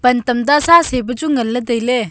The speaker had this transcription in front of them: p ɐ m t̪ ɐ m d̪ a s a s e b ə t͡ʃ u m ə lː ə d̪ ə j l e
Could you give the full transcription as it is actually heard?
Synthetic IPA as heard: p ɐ n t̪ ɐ m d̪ a s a s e b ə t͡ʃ u ŋ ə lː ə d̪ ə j l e